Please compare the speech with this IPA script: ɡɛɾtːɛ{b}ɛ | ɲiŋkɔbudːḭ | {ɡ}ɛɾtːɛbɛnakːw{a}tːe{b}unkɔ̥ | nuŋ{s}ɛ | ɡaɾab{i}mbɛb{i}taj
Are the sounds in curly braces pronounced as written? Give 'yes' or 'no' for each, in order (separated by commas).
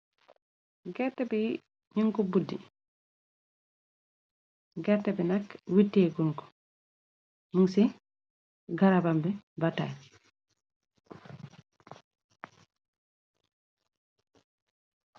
yes, yes, no, no, yes, no, no